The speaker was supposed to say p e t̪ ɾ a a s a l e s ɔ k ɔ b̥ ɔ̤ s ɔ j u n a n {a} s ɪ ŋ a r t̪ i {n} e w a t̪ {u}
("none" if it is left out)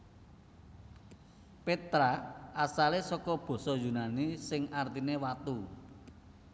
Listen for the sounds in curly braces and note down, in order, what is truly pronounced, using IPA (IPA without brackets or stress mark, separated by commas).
i, n, u